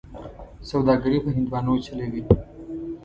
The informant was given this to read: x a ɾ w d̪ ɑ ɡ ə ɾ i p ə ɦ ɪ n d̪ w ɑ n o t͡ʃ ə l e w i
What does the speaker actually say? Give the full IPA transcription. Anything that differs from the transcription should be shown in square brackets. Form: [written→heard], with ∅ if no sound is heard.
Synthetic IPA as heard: [x→s] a [ɾ→∅] w d̪ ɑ ɡ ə ɾ i p ə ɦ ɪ n d̪ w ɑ n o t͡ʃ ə l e w i